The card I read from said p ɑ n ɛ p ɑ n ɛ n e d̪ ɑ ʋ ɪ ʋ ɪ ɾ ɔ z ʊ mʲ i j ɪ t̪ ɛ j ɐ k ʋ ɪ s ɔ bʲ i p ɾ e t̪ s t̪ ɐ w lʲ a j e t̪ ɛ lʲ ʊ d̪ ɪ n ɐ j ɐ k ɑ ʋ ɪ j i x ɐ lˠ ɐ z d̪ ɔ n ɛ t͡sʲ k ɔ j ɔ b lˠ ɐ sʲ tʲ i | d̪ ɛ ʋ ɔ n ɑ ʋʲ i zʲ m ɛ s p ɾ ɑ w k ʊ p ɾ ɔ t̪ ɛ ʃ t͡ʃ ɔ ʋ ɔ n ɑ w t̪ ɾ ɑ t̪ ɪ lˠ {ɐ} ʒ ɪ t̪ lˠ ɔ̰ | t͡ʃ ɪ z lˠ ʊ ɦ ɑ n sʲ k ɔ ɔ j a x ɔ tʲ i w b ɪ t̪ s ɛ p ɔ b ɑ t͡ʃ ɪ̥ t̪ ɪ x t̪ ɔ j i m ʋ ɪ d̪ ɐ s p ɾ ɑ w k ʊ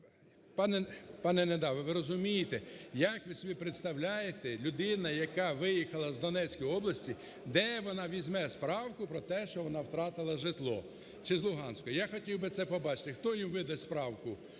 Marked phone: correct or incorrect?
correct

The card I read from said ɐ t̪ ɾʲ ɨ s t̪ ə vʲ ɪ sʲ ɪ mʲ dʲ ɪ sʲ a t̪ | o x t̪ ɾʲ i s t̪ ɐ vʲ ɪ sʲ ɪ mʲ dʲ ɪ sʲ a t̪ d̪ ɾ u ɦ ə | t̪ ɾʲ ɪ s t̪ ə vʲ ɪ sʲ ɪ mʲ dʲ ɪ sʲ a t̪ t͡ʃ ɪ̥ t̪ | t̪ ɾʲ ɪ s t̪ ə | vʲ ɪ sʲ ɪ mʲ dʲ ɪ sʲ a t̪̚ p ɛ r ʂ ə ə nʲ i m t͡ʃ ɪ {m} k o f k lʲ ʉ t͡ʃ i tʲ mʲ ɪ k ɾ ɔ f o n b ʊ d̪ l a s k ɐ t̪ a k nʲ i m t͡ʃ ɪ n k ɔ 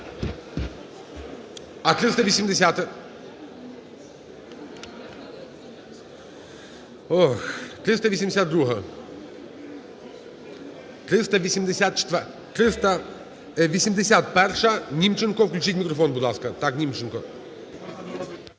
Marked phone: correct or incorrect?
incorrect: n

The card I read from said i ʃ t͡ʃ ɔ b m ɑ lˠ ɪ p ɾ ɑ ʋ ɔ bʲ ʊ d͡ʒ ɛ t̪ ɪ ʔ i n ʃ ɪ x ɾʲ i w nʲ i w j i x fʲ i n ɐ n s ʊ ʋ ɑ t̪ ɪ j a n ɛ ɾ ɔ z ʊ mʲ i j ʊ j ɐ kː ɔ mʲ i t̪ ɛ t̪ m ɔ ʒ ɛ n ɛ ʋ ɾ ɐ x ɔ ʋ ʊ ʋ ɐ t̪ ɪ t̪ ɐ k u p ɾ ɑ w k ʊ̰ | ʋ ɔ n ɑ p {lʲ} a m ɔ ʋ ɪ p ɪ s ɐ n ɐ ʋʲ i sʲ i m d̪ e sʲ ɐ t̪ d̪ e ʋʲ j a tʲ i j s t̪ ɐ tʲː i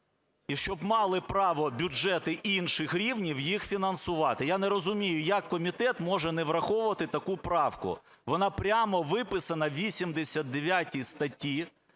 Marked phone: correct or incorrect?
incorrect: ɾʲ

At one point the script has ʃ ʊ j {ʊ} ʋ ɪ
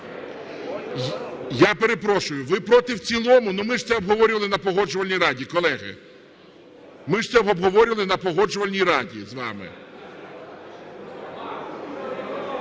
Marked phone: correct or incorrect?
correct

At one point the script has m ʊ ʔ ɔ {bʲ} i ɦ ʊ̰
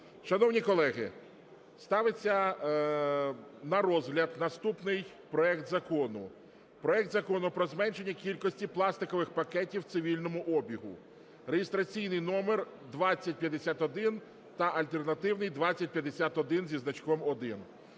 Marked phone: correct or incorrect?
correct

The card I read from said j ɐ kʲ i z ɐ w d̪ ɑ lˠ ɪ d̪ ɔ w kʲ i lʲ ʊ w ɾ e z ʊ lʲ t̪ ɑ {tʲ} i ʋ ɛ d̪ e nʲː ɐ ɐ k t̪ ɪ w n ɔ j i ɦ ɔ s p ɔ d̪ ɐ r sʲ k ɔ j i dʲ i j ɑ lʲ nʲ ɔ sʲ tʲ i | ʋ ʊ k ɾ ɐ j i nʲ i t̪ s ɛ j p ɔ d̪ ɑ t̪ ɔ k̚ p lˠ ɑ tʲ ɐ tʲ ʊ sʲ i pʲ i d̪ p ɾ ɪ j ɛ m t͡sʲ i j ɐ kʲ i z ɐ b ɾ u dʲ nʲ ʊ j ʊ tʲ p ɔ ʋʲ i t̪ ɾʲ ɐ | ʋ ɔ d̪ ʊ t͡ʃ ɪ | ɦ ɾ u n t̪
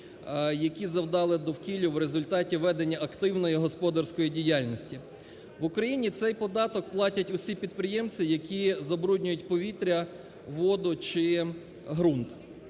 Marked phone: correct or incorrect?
correct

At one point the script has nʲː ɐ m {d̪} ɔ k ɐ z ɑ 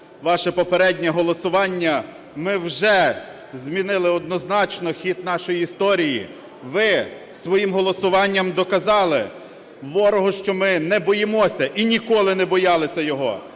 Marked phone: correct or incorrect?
correct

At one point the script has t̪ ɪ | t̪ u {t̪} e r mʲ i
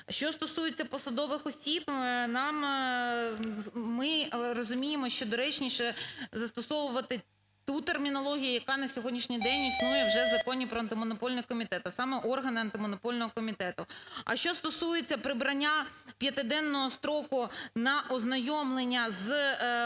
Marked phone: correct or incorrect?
correct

